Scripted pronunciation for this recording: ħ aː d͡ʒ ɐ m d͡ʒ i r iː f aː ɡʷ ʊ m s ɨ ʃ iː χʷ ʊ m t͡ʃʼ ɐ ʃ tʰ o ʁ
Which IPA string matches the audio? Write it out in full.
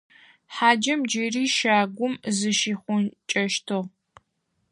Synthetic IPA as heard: ħ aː d͡ʒ ɐ m d͡ʒ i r iː ʃ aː ɡʷ ʊ m z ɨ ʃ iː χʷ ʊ n t͡ʃʼ ɐ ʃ tʰ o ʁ